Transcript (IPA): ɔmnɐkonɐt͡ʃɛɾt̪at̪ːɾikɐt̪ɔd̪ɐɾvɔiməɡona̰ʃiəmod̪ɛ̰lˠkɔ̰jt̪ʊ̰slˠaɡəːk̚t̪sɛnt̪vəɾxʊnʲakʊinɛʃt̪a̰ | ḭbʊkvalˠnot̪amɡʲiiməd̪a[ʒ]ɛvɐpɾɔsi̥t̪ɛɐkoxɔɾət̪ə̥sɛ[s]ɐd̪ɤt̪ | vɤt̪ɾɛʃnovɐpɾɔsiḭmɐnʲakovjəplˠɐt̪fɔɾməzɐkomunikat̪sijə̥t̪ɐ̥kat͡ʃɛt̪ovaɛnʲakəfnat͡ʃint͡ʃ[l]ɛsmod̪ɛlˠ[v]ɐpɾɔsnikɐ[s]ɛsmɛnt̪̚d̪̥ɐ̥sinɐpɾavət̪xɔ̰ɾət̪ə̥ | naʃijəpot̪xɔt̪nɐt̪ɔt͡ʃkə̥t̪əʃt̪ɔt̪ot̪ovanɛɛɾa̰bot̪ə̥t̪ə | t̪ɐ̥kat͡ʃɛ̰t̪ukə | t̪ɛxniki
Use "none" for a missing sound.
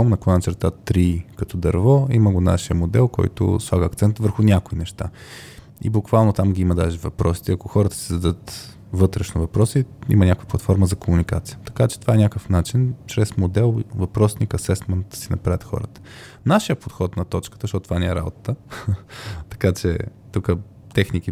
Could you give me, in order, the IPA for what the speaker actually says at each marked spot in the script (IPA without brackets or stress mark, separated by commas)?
ʒ, z, ɾ, v, s